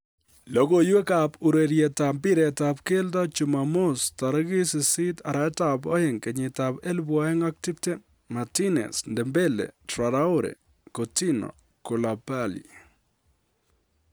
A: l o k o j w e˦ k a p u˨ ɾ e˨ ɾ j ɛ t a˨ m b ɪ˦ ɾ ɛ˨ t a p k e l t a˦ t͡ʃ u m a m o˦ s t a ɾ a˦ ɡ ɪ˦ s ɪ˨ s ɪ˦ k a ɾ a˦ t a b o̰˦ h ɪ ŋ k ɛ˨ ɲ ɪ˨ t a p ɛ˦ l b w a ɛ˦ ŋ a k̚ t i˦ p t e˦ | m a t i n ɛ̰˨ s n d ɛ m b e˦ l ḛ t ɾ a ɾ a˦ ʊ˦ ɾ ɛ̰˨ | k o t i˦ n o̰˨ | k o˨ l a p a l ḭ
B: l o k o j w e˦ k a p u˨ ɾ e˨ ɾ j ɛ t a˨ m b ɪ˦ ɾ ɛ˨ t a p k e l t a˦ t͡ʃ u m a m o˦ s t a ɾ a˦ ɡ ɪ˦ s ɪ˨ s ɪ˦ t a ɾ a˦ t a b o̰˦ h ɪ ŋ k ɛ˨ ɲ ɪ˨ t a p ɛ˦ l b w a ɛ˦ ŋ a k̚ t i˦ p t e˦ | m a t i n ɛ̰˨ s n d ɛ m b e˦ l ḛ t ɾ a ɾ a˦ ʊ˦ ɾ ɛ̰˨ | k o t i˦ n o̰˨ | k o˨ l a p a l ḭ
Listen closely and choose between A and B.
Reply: B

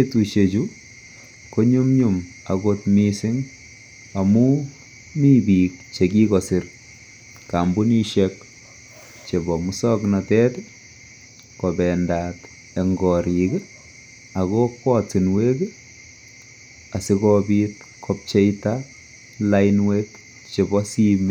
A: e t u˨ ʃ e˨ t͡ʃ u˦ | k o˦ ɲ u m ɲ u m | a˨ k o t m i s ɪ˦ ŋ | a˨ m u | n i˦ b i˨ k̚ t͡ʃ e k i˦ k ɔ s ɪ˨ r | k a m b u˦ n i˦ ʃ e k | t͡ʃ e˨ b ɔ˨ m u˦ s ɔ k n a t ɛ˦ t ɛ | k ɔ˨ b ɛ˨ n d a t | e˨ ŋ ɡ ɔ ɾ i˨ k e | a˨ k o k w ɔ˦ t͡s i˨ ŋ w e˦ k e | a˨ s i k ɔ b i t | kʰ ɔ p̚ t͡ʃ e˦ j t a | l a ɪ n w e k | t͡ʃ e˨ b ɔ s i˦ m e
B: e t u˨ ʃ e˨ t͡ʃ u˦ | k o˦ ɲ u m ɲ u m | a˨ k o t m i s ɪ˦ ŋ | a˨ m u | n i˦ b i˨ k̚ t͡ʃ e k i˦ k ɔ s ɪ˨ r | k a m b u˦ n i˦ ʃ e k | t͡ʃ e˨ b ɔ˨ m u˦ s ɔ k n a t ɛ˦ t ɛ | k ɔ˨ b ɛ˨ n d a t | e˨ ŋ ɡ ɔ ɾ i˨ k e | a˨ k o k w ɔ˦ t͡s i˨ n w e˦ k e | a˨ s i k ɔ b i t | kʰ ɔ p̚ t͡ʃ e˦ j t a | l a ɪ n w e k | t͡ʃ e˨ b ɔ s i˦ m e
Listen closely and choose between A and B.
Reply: B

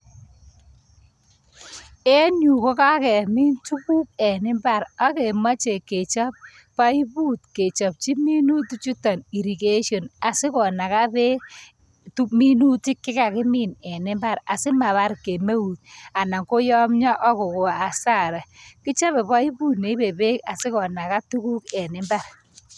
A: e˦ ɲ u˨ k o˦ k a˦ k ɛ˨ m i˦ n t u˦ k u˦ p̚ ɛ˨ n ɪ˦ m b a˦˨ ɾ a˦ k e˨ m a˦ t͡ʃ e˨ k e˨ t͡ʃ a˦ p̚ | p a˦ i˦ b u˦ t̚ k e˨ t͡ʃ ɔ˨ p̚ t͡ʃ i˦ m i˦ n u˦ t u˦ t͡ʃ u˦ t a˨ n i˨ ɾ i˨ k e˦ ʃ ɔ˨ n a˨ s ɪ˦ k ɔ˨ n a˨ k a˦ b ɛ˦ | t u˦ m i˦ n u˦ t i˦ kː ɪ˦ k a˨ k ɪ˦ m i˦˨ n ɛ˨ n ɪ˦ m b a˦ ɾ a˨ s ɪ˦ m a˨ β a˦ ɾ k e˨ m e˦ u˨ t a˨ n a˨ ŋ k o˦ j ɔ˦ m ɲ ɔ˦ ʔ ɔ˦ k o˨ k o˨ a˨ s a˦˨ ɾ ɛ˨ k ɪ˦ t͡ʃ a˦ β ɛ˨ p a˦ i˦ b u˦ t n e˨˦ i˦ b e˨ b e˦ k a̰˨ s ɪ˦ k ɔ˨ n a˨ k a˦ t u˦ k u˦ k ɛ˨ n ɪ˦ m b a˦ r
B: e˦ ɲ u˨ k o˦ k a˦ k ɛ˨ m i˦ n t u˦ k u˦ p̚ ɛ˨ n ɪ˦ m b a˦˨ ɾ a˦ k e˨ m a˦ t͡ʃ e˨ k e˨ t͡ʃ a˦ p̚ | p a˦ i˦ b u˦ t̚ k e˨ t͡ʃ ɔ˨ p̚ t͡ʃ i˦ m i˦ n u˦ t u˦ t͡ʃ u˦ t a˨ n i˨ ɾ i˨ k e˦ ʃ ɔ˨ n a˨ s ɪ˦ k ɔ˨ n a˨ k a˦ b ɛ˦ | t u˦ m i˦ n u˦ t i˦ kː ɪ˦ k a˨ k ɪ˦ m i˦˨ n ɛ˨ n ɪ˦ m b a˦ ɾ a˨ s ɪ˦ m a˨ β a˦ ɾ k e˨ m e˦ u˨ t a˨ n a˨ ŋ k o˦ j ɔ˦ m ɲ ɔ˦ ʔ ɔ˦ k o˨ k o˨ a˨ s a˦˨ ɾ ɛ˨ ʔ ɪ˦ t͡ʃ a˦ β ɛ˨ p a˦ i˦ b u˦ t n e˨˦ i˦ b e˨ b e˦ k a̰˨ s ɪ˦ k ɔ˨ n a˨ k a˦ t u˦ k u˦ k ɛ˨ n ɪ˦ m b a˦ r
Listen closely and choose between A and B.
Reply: A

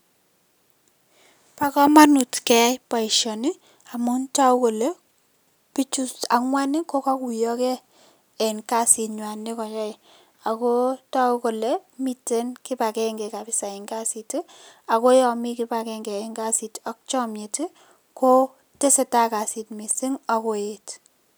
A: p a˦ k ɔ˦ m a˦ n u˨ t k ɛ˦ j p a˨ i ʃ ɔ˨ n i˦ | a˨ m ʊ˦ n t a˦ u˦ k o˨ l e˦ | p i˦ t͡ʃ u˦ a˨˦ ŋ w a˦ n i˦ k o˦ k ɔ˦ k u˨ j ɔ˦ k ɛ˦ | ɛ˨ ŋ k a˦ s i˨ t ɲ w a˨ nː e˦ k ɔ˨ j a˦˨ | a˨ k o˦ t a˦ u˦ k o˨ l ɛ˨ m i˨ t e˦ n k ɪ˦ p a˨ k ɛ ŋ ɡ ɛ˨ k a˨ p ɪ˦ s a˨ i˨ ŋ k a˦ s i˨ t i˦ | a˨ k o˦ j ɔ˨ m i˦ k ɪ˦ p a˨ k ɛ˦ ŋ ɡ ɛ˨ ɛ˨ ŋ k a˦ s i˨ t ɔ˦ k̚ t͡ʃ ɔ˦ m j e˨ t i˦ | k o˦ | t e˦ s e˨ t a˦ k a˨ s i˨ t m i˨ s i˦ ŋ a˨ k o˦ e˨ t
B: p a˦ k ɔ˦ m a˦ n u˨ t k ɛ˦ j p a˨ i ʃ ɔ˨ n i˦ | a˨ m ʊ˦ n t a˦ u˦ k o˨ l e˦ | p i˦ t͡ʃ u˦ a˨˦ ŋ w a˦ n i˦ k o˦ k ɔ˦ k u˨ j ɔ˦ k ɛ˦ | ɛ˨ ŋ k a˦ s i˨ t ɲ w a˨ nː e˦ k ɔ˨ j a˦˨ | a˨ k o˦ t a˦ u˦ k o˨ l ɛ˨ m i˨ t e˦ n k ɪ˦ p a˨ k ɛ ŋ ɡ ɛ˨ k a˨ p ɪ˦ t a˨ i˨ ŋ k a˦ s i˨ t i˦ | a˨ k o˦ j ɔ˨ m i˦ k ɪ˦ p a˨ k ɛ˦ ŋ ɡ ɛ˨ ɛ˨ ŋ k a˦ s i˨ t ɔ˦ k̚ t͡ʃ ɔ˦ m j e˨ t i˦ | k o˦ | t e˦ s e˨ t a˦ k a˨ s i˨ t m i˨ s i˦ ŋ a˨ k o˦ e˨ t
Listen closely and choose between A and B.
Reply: A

